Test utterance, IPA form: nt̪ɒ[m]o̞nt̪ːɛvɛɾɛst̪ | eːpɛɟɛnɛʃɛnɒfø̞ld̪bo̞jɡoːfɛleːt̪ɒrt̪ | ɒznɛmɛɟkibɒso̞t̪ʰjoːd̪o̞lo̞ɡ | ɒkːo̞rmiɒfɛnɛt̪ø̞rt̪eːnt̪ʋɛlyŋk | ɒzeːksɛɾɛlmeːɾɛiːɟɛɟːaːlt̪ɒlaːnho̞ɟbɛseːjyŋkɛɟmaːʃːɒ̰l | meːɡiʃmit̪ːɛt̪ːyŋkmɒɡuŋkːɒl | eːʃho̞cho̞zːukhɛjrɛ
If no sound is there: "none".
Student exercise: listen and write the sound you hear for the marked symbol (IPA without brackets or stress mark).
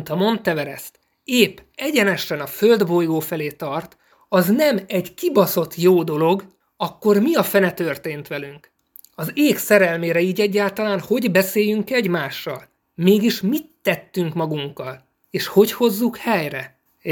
m